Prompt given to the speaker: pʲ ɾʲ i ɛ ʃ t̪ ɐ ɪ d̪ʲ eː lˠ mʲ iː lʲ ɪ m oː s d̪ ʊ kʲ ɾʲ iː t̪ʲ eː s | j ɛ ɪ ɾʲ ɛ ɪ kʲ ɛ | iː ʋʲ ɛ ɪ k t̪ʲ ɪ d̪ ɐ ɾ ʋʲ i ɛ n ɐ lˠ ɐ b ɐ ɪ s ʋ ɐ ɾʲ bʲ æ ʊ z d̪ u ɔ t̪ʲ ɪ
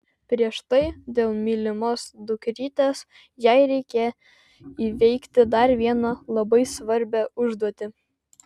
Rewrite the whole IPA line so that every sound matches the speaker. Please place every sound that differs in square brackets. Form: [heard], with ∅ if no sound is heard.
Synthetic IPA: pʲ ɾʲ i ɛ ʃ t̪ ɐ ɪ d̪ʲ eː lˠ mʲ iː lʲ ɪ m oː s d̪ ʊ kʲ ɾʲ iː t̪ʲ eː s | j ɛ ɪ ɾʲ ɛ ɪ kʲ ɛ | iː ʋʲ ɛ ɪ k t̪ʲ ɪ d̪ ɐ ɾ ʋʲ i ɛ n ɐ lˠ ɐ b ɐ ɪ s ʋ ɐ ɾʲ bʲ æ ʊ [ʒ] d̪ u ɔ t̪ʲ ɪ